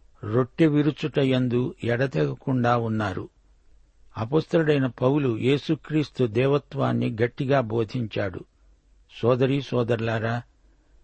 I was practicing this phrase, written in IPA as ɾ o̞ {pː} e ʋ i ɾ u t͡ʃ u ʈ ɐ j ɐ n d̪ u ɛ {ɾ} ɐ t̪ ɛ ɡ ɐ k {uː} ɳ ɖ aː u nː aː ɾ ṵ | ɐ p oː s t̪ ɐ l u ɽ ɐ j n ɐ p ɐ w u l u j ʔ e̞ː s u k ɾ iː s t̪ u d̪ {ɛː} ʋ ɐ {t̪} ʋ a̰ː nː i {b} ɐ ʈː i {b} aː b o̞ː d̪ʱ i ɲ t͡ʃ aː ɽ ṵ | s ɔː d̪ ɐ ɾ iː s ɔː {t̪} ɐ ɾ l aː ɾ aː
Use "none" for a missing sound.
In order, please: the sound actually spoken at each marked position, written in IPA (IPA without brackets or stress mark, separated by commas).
ʈː, ɽ, u, ɛː, t̪, ɡ, ɡ, d̪